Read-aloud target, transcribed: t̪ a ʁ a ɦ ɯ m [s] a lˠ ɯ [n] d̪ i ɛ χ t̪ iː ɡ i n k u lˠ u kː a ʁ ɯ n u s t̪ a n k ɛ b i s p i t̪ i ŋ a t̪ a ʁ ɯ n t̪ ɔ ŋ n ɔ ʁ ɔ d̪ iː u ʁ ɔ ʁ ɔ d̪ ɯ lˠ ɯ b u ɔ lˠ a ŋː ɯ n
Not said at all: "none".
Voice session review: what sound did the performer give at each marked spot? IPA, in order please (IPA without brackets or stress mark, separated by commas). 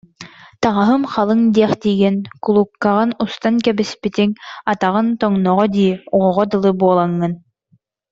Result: χ, ŋ